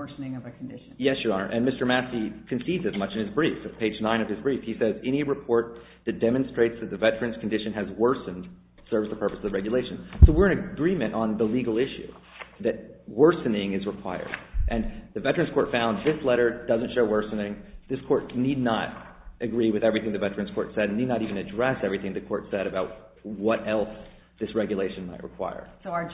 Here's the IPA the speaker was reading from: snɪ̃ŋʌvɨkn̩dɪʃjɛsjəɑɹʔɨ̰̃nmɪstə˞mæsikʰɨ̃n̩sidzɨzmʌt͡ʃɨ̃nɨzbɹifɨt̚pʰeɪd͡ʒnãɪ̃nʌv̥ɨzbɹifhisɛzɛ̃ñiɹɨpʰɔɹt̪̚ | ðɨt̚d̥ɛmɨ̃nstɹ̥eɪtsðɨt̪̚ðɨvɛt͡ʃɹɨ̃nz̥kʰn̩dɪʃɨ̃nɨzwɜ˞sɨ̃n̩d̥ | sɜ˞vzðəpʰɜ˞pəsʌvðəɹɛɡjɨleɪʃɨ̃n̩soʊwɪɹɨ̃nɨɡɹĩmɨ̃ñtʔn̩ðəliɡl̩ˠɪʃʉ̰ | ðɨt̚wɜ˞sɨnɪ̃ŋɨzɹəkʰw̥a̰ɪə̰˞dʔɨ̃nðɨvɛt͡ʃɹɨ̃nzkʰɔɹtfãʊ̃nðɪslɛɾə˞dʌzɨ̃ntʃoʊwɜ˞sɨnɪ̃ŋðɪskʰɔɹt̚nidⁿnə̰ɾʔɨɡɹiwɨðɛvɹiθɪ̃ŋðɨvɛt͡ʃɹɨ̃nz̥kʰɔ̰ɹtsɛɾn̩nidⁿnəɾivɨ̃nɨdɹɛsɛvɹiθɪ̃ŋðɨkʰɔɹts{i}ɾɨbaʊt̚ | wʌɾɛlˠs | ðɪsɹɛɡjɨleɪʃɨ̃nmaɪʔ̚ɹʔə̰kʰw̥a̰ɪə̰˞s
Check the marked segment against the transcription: incorrect: ɛ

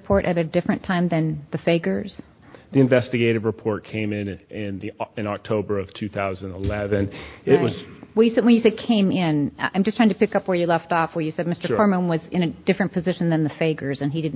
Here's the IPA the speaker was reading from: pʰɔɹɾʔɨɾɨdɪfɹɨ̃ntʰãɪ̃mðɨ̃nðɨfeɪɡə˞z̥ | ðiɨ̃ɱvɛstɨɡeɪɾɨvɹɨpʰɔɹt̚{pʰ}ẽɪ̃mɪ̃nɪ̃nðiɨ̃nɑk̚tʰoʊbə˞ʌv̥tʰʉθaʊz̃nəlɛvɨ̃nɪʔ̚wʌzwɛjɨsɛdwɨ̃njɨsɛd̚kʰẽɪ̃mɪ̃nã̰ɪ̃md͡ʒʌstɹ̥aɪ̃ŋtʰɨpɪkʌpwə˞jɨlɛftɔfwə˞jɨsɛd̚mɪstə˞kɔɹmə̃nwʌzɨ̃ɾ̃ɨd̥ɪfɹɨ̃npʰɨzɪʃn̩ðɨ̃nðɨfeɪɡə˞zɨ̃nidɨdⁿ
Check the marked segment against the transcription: incorrect: kʰ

